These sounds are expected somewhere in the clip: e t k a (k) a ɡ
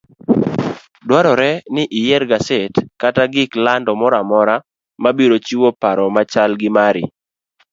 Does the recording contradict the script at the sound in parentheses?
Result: yes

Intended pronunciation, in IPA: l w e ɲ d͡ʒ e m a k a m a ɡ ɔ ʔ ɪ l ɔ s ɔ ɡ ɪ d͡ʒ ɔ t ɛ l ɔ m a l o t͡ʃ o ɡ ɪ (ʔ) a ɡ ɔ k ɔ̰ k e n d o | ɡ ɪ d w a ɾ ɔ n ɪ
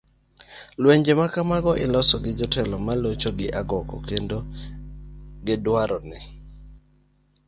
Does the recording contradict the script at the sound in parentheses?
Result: no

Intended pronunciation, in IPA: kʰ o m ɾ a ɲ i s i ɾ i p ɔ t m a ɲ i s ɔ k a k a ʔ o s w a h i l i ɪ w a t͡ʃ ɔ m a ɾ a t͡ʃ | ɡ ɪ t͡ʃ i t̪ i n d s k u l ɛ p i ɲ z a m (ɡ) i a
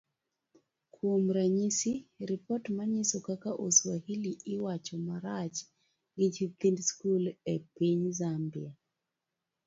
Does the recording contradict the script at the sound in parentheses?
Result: yes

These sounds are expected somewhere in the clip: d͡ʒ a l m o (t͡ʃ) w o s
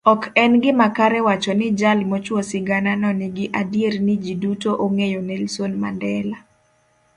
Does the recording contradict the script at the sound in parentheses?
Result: no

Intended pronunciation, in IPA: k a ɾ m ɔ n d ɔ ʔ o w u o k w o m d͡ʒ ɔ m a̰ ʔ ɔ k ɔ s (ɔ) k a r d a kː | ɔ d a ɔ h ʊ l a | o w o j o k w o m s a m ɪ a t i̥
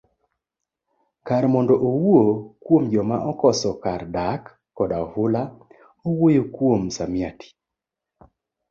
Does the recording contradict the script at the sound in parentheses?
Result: no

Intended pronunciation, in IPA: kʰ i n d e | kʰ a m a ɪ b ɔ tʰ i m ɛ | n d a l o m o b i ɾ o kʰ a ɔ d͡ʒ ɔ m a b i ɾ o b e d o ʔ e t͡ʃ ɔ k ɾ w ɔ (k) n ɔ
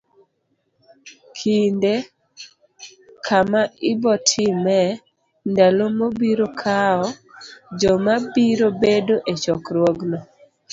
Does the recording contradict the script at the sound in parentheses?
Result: yes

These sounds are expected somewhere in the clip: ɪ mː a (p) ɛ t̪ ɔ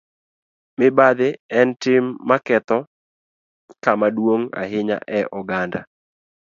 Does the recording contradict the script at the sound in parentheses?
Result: yes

